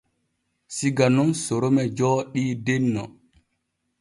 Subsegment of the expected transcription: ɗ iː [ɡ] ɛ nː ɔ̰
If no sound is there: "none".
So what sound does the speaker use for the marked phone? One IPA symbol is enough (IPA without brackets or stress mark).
d